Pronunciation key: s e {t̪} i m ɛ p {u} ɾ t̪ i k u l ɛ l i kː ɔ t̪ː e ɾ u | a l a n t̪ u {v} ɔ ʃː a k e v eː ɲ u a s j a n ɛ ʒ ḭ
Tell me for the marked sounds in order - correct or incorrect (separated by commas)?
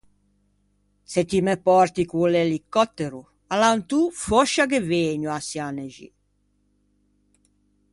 correct, incorrect, incorrect